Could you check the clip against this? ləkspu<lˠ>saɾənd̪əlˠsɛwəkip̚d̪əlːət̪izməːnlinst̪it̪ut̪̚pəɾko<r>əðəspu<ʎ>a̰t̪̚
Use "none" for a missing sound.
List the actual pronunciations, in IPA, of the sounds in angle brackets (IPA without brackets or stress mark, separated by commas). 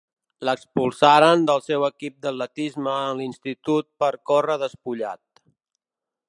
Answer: lˠ, r, ʎ